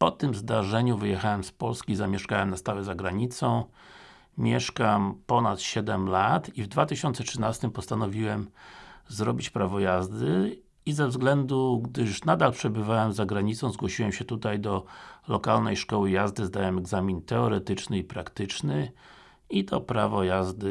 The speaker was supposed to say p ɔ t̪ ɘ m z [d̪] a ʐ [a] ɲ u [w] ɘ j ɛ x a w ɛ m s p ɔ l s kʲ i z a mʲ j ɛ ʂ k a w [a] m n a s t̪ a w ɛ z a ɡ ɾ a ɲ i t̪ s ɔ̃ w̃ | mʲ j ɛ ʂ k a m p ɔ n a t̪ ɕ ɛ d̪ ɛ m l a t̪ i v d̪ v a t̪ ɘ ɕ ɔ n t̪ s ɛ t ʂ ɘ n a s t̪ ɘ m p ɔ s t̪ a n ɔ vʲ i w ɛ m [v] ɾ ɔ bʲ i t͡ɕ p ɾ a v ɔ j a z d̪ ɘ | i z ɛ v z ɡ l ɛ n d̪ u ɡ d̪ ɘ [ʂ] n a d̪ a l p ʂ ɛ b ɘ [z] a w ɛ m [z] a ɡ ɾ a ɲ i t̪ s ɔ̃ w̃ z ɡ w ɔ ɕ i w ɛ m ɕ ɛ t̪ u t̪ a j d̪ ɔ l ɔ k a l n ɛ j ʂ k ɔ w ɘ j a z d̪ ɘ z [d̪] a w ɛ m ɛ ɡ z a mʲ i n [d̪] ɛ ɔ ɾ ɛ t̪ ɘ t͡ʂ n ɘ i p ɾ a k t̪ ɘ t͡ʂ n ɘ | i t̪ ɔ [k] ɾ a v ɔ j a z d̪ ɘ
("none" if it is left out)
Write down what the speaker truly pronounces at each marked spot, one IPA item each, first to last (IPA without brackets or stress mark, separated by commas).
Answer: d̪, ɛ, v, ɛ, z, ʂ, v, z, d̪, t̪, p